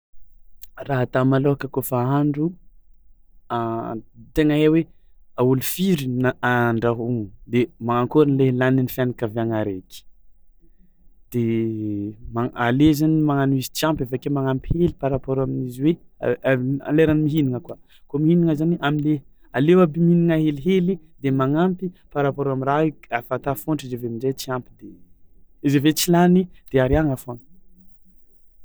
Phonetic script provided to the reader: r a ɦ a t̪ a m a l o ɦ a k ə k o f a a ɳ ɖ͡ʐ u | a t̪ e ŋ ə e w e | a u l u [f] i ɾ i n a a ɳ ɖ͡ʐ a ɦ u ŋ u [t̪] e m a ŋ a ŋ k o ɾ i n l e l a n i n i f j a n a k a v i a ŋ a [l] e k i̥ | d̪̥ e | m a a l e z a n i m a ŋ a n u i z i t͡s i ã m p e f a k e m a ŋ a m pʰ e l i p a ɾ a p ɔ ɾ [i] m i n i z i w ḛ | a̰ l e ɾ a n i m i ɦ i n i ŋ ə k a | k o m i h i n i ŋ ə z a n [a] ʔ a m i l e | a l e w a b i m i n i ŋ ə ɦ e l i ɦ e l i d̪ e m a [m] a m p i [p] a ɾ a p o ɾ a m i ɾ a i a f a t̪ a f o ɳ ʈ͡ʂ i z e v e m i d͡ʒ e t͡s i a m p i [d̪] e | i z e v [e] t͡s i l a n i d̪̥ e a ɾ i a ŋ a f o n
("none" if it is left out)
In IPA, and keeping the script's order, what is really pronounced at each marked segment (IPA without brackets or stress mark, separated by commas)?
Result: f, d̪, ɾ, a, i, ŋ, p, d̪, e